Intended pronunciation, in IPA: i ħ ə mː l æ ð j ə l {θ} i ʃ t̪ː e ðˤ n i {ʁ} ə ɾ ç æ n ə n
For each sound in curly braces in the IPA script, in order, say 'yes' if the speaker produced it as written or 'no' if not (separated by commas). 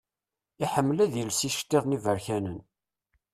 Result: no, no